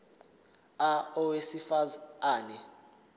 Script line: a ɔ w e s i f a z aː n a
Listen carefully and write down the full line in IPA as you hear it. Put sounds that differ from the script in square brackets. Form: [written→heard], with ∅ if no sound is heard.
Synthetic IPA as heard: a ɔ w e s i f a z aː n [a→ɛ]